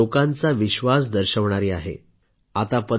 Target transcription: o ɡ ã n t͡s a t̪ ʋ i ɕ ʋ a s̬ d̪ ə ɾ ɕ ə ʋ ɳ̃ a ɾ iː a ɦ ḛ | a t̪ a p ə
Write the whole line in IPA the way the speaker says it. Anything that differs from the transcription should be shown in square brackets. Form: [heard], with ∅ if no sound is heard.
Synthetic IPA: o [k] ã n t͡s a [∅] ʋ i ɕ ʋ a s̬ d̪ ə ɾ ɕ ə ʋ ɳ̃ a ɾ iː a ɦ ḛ | a t̪ a p ə